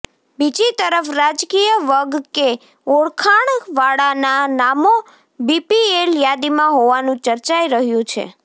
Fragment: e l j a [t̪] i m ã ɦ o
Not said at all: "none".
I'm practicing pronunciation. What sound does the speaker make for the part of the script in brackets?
d̪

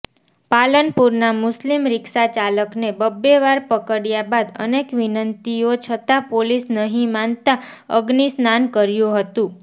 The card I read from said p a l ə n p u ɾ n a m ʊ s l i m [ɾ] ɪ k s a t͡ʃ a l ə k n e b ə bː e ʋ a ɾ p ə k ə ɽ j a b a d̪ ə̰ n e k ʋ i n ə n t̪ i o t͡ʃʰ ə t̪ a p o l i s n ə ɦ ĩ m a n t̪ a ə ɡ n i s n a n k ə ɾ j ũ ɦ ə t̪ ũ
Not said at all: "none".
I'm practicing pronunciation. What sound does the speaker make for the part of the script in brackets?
ɾ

